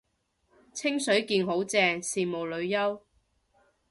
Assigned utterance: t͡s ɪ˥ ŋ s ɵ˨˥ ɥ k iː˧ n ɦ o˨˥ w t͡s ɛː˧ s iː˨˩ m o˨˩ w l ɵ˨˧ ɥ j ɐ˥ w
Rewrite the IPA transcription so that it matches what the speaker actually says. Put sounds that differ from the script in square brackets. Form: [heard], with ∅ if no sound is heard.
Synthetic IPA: [t͡sʰ] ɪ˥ ŋ s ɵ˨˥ ɥ k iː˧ n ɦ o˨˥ w t͡s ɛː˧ s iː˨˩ m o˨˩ w l ɵ˨˧ ɥ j ɐ˥ w